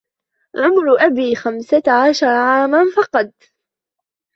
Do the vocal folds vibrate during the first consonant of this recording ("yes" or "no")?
yes